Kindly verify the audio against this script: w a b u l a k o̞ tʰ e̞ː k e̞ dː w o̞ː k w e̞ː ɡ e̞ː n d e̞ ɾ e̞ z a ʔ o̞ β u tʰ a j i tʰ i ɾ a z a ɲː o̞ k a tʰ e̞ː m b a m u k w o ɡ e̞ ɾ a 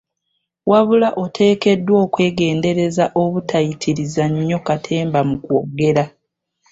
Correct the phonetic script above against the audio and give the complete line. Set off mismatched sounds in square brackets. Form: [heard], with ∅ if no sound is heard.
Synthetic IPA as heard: w a [β] u l a [ʔ] o̞ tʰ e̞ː k e̞ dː w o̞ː k w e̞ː ɡ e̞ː n d e̞ ɾ e̞ z a ʔ o̞ β u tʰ a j i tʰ i ɾ [i] z a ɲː o̞ k a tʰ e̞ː m b a m u k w o ɡ e̞ ɾ a